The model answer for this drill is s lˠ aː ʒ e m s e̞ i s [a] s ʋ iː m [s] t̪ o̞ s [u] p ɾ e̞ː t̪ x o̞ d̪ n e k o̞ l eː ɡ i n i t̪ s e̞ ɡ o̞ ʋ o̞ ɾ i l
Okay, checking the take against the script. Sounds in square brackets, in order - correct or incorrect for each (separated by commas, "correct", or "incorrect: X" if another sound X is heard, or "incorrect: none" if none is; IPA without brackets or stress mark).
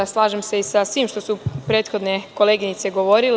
correct, incorrect: ʃ, correct